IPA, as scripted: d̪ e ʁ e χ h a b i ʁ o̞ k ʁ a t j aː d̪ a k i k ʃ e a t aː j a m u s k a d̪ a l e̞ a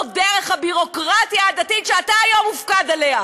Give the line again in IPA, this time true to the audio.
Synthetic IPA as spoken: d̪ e ʁ e χ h a b i ʁ o̞ k ʁ a t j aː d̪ a t i t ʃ e a t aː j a m u f k a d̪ a l e̞ a